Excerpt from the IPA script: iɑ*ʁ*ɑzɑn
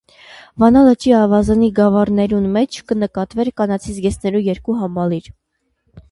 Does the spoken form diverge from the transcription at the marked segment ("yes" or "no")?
yes